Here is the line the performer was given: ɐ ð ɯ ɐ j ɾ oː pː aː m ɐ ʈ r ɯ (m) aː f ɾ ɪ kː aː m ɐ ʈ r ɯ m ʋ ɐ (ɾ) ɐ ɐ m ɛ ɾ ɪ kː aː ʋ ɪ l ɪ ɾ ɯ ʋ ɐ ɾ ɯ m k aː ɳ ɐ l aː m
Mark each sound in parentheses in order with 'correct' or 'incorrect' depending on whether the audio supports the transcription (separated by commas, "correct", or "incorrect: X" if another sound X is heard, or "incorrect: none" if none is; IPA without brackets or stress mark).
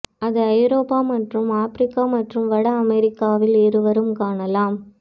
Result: correct, incorrect: ɽ